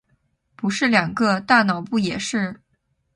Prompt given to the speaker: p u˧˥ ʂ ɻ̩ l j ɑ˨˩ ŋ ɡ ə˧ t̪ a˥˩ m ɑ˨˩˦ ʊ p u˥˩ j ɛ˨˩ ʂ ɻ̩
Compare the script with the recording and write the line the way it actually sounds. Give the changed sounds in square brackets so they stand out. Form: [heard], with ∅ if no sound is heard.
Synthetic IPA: p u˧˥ ʂ ɻ̩ l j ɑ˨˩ ŋ ɡ ə˧ t̪ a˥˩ [n] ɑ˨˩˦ ʊ p u˥˩ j ɛ˨˩ ʂ ɻ̩

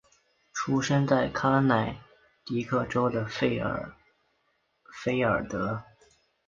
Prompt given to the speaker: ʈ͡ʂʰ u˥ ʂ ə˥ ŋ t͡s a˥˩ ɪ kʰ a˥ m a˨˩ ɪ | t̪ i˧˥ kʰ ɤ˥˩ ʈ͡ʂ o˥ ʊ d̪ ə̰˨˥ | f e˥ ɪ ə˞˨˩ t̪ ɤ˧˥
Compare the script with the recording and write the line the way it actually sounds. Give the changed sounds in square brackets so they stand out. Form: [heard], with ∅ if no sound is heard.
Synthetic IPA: ʈ͡ʂʰ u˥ ʂ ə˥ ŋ t͡s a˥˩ ɪ kʰ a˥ [n] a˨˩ ɪ | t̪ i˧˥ kʰ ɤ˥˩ ʈ͡ʂ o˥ ʊ d̪ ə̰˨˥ | f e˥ ɪ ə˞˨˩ t̪ ɤ˧˥

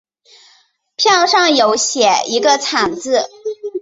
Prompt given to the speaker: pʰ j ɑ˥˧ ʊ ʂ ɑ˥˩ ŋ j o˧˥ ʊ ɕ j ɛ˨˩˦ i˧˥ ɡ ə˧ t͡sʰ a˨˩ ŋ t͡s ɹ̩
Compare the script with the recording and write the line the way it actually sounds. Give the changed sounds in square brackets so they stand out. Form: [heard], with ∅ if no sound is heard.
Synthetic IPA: pʰ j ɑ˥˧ ʊ ʂ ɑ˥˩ ŋ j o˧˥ ʊ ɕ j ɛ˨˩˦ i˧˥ ɡ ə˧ t͡sʰ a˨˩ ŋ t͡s ɹ̩

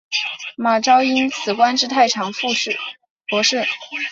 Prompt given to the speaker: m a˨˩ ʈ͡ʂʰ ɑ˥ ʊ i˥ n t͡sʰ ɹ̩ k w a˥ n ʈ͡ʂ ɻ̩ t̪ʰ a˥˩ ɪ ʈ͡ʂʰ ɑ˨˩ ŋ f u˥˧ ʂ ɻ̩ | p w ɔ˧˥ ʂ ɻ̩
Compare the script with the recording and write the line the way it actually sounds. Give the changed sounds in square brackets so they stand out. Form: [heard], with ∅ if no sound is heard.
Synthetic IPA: m a˨˩ [ʈ͡ʂ] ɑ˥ ʊ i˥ n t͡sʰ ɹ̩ k w a˥ n ʈ͡ʂ ɻ̩ t̪ʰ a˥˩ ɪ ʈ͡ʂʰ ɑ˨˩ ŋ f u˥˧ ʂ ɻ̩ | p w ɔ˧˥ ʂ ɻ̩

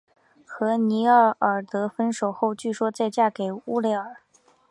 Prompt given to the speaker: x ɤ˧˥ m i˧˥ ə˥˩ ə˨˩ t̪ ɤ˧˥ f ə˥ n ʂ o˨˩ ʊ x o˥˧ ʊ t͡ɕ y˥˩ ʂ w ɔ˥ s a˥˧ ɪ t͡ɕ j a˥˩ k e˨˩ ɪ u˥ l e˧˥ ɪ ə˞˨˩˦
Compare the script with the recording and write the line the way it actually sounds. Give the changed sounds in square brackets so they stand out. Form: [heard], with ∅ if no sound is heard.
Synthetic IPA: x ɤ˧˥ [n] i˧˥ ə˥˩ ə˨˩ t̪ ɤ˧˥ f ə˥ n ʂ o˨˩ ʊ x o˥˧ ʊ t͡ɕ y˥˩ ʂ w ɔ˥ [t͡s] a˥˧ ɪ t͡ɕ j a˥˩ k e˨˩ ɪ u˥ l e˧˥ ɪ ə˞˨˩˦

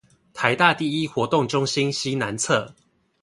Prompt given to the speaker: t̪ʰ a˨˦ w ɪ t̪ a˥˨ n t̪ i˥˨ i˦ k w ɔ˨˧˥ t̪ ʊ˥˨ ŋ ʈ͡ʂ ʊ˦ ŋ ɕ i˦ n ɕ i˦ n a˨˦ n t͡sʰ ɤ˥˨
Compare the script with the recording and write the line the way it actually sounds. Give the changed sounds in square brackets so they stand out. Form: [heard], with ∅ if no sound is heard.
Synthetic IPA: t̪ʰ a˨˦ [∅] ɪ t̪ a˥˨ [∅] t̪ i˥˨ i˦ [x] w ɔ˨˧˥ t̪ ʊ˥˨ ŋ ʈ͡ʂ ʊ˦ ŋ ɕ i˦ n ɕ i˦ n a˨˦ n t͡sʰ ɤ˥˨

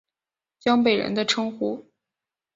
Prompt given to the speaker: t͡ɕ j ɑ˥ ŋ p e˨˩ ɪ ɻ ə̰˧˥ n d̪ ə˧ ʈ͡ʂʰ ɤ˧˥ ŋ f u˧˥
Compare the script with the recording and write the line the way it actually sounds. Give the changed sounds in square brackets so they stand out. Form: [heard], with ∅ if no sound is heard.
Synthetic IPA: t͡ɕ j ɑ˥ ŋ p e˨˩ ɪ ɻ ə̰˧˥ n d̪ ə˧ ʈ͡ʂʰ [ɤ˥] ŋ [x] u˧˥

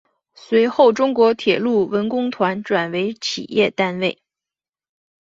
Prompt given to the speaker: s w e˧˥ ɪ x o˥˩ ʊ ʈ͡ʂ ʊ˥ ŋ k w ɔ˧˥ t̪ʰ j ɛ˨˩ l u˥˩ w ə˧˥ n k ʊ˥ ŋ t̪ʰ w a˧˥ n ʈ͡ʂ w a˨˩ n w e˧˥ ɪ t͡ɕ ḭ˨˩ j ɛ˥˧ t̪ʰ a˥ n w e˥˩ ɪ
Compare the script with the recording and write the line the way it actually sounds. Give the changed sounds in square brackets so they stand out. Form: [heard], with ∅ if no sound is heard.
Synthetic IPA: s w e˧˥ ɪ x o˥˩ ʊ ʈ͡ʂ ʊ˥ ŋ k w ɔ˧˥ t̪ʰ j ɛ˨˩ l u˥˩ w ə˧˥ n k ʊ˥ ŋ t̪ʰ w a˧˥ n ʈ͡ʂ w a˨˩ n w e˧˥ ɪ [t͡ɕʰ] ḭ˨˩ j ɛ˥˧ [t̪] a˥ n w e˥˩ ɪ

